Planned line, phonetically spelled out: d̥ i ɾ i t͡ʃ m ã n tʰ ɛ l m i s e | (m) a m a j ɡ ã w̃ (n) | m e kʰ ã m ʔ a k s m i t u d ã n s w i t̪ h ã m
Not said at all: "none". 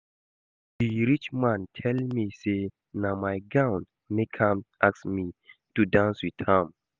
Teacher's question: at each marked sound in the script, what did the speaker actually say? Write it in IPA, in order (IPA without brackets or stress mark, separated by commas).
n, n